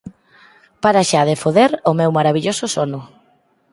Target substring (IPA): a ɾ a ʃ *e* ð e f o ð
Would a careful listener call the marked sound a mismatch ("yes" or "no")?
yes